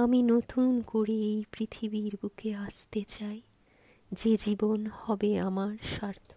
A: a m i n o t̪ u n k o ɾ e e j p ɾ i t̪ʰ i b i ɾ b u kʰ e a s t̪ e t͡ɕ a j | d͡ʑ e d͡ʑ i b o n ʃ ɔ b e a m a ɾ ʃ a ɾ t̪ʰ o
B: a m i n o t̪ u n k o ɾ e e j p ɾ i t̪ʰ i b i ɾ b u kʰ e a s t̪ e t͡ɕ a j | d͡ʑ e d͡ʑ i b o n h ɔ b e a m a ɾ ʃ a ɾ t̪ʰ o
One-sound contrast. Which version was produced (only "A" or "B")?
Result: B